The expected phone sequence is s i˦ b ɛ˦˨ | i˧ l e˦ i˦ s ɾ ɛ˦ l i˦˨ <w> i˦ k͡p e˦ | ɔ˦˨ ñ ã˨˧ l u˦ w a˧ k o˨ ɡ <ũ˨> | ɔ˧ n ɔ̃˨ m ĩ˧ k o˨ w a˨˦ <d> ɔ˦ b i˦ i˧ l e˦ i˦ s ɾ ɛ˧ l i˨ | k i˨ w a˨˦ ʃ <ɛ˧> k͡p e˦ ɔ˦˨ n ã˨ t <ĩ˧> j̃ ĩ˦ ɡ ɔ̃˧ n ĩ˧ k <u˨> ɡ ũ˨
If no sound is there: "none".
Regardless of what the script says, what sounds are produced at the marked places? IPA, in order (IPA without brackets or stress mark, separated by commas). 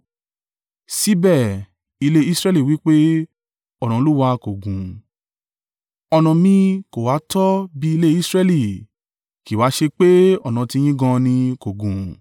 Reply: w, ũ˨, t, e˧, i˧, o˨